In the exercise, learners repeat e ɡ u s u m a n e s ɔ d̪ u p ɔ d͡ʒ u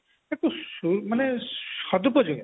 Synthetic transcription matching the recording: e k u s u m a n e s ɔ d̪ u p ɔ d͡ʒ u